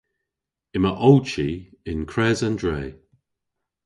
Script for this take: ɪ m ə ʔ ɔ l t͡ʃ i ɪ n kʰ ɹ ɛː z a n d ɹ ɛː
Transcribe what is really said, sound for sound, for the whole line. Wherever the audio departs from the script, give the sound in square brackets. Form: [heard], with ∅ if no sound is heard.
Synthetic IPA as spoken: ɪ m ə ʔ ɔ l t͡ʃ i ɪ n kʰ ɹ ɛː z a n d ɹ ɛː